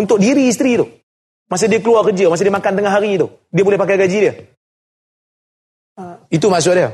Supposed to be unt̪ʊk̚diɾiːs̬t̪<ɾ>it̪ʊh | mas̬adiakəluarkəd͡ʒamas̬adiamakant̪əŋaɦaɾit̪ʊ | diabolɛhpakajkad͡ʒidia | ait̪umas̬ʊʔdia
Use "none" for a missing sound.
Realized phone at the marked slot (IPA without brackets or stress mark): ɾ